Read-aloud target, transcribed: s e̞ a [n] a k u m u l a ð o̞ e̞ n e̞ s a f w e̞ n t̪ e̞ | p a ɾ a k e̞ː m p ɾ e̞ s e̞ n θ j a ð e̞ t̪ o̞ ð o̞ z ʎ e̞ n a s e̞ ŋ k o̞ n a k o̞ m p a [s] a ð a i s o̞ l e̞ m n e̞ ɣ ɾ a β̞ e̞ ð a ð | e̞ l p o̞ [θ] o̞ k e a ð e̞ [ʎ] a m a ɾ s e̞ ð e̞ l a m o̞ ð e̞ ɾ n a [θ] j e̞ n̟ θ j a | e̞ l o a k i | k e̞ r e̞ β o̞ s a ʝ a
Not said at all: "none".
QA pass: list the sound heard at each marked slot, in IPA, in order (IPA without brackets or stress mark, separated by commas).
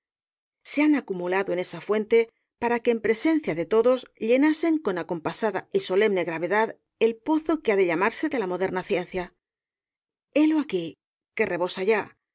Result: n, s, θ, ʎ, θ